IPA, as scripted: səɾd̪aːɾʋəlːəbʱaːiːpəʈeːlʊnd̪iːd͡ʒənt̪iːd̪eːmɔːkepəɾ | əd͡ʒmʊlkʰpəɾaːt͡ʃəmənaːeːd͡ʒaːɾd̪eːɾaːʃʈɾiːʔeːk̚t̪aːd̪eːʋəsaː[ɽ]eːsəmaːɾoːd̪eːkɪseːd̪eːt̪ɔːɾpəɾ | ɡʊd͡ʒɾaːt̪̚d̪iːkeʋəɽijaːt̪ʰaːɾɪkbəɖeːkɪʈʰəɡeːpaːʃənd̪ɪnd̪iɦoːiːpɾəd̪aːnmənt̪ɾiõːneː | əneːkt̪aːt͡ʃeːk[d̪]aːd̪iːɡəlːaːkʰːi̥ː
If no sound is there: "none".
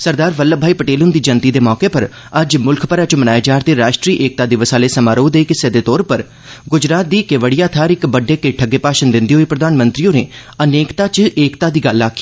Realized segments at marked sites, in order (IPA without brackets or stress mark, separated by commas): l, t̪